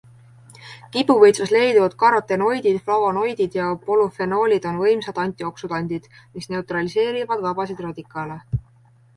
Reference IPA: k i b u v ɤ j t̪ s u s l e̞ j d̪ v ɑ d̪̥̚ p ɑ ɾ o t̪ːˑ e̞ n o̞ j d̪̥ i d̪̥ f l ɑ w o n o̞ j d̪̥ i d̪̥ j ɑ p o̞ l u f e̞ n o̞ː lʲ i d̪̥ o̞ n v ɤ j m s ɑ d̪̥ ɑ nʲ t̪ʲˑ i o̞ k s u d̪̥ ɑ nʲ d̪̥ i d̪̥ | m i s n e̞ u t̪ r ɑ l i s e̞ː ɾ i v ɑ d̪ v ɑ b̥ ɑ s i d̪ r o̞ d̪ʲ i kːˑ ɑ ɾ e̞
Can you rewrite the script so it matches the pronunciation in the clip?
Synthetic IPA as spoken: k i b u v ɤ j t̪ s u s l e̞ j d̪ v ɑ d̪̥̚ k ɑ ɾ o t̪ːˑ e̞ n o̞ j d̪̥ i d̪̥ f l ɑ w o n o̞ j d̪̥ i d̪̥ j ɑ p o̞ l u f e̞ n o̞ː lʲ i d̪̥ o̞ n v ɤ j m s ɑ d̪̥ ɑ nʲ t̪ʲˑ i o̞ k s u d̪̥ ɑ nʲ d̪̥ i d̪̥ | m i s n e̞ u t̪ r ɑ l i s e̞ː ɾ i v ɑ d̪ v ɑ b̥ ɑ s i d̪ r o̞ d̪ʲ i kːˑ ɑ l e̞